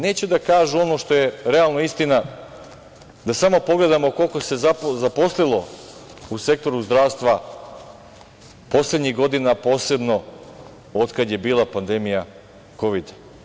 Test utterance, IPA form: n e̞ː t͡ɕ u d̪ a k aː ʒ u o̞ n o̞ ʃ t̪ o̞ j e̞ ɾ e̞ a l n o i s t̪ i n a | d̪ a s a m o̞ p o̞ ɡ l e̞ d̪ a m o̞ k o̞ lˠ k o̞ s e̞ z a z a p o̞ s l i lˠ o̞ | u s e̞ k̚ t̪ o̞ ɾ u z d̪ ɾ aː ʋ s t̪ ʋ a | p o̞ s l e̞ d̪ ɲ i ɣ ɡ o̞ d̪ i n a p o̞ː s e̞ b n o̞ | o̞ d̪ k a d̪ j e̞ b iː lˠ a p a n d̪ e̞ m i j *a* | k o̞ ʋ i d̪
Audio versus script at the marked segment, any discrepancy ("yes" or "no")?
no